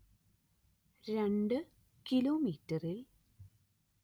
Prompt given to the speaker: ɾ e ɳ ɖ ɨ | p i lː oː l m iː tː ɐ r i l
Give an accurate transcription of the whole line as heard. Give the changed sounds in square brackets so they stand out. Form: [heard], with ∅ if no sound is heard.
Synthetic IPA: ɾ e ɳ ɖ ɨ | [k] i [l] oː [∅] m iː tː ɐ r i l